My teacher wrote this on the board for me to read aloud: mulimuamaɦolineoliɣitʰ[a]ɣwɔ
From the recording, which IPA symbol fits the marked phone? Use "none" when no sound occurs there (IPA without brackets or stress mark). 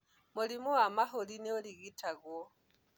a